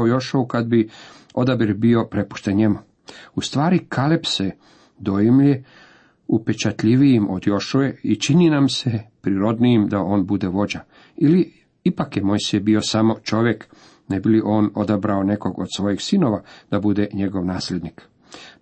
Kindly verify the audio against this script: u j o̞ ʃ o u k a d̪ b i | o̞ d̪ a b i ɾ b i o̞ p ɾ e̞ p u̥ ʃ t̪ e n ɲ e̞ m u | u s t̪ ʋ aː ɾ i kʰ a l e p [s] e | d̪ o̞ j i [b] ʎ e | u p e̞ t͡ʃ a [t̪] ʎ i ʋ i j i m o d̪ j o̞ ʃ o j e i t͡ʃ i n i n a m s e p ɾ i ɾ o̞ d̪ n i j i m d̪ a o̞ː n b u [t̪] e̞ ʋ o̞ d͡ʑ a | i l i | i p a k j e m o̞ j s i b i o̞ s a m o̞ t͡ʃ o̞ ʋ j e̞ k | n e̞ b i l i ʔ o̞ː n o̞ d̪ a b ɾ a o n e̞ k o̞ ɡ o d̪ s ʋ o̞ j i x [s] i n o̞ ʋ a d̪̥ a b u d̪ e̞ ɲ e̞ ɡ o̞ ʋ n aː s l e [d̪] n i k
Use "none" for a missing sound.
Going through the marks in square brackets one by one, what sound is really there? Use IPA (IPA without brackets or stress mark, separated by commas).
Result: s, m, t̪, d̪, s, d̪